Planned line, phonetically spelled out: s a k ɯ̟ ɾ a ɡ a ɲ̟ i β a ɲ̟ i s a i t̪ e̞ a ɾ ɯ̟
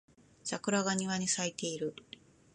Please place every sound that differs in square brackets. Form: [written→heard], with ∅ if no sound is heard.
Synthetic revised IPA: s a k ɯ̟ ɾ a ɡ a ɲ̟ i β a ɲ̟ i s a i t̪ e̞ [a→i] ɾ ɯ̟